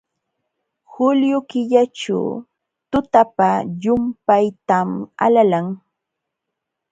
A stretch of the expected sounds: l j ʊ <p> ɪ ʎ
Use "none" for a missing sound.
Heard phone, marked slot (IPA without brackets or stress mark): k